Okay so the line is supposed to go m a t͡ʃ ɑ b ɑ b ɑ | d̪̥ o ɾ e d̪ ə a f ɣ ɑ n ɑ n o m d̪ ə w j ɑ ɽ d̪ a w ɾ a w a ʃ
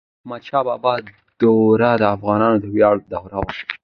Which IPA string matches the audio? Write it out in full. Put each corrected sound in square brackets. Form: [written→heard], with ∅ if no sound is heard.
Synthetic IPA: m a t͡ʃ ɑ b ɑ b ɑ | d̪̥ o ɾ [e→a] d̪ ə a f ɣ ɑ n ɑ n o [m→∅] d̪ ə w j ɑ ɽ d̪ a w ɾ a w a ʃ

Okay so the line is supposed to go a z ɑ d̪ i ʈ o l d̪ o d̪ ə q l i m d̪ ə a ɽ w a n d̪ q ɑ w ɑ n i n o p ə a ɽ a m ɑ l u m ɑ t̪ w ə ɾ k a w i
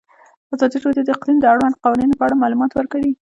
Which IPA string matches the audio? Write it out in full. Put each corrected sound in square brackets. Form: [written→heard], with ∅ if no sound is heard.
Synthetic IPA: a z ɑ d̪ i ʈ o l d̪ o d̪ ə q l i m d̪ ə a ɽ w a n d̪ q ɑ w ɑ n i n o p ə a ɽ a m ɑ l u m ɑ t̪ w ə ɾ k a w i

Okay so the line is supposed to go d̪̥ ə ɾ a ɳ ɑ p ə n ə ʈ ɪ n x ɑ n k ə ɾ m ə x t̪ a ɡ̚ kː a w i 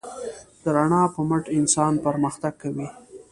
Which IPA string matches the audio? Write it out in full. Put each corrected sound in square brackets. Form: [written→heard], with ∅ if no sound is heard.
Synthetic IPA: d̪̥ ə ɾ a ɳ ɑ p ə [n→m] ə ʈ ɪ n [x→s] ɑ n [k→p] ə ɾ m ə x t̪ a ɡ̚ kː a w i

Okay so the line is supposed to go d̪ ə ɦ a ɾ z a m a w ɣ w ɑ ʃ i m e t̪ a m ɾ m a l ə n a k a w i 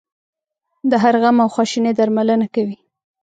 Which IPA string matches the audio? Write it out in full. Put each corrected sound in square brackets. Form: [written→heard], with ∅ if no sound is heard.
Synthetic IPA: d̪ ə ɦ a ɾ [z→ɣ] a m a w [ɣ→x] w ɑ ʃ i [m→n] e [t̪→d̪] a [m→∅] ɾ m a l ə n a k a w i

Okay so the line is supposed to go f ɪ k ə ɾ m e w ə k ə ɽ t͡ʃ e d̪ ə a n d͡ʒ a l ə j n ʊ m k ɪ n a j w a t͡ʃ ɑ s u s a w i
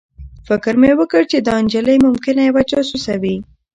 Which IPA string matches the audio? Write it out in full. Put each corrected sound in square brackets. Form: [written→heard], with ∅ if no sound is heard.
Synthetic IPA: f ɪ k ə ɾ m e w ə k ə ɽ t͡ʃ e d̪ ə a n d͡ʒ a l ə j [n→m] ʊ m k ɪ n a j w a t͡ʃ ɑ s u s a w i

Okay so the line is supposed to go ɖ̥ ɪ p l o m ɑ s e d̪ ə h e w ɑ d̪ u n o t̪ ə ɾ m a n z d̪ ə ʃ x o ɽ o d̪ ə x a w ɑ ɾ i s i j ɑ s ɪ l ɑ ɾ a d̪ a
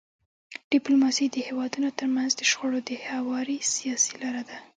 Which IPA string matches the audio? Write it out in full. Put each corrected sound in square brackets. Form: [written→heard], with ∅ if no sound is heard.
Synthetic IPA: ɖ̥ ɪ p l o m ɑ s [e→i] d̪ ə h e w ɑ d̪ u n o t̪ ə ɾ m a n z d̪ ə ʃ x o ɽ o d̪ ə [x→h] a w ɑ ɾ i s i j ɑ s [ɪ→i] l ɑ ɾ a d̪ a

